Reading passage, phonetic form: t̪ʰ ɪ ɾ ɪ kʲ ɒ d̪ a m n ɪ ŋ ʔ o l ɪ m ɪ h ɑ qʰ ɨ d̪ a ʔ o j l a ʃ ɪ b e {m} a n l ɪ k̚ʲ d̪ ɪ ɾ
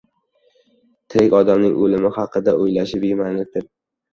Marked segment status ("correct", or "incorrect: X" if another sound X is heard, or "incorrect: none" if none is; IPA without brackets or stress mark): correct